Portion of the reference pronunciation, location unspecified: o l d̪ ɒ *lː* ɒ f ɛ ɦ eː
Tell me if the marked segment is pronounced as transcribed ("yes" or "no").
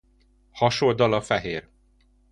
no